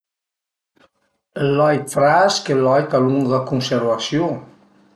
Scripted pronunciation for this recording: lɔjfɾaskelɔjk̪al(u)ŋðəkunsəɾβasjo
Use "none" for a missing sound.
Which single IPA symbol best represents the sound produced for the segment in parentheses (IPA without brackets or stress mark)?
u